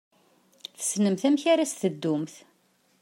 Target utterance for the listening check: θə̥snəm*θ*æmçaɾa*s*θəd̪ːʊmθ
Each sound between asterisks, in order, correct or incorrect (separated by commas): correct, correct